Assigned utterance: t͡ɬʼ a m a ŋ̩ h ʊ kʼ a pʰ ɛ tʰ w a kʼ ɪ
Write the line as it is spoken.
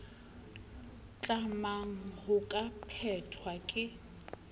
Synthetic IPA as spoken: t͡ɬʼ a m a ŋ̩ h ʊ kʼ a pʰ ɛ tʰ w a kʼ ɪ

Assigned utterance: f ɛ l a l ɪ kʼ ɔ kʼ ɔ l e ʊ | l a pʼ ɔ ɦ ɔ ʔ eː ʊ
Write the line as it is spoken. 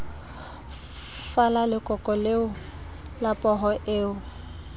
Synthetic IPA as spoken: f a l a l ɪ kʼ ɔ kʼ ɔ l e ʊ | l a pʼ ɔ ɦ ɔ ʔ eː ʊ

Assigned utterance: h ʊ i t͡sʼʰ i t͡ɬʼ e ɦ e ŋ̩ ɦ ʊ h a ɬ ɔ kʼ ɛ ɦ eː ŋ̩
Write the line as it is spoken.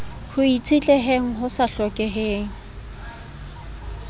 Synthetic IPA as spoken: h ʊ i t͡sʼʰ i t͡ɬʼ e ɦ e ŋ̩ ɦ ʊ s a ɬ ɔ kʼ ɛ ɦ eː ŋ̩

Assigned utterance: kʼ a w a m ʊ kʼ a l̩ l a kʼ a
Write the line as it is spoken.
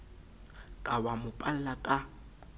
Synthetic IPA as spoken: kʼ a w a m ʊ pʼ a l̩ l a kʼ a

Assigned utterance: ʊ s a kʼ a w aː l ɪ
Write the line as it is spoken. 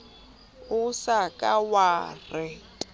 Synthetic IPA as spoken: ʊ s a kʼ a w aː r ɪ

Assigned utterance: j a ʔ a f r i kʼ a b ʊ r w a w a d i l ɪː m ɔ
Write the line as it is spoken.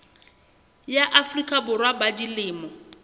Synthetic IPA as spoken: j a ʔ a f r i kʼ a b ʊ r w a b a d i l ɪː m ɔ

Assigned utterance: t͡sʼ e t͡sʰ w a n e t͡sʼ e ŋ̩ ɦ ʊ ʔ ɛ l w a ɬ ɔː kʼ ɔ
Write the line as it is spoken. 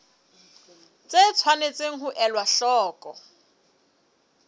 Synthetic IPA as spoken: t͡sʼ e t͡sʰ w a n e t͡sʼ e ŋ̩ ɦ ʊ ʔ ɛ l w a ɬ ɔː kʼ ɔ

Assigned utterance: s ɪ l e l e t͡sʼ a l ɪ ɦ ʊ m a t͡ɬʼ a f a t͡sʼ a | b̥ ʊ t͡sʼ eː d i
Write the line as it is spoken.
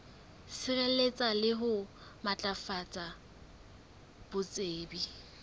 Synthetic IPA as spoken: s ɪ r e l e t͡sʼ a l ɪ ɦ ʊ m a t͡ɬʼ a f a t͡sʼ a | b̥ ʊ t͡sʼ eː b i

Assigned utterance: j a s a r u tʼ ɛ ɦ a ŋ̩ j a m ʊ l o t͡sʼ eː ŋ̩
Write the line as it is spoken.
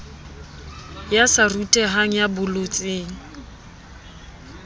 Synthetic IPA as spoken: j a s a r u tʼ ɛ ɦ a ŋ̩ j a b ʊ l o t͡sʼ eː ŋ̩

